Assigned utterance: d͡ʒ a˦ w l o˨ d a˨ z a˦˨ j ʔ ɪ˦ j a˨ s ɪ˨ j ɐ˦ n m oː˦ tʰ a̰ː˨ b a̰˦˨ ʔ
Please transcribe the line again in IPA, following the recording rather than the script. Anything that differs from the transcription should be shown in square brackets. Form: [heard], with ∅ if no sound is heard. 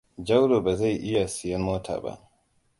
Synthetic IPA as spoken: d͡ʒ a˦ w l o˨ [b] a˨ z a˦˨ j ʔ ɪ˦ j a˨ s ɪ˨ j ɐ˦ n m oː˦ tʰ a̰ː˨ b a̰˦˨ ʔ